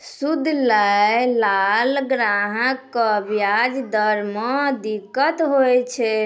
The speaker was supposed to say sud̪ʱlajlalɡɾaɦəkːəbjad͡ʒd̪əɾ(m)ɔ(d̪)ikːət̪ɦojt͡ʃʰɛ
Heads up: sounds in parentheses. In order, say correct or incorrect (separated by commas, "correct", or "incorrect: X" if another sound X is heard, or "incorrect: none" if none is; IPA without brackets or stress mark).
correct, correct